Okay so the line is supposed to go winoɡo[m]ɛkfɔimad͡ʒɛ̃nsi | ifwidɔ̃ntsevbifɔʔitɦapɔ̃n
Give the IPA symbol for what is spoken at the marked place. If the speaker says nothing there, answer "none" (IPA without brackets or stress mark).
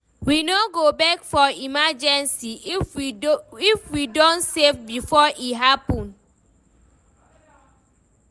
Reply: b